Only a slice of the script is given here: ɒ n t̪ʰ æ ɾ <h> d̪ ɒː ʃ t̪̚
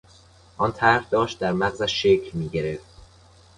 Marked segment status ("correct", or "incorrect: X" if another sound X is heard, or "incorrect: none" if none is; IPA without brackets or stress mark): correct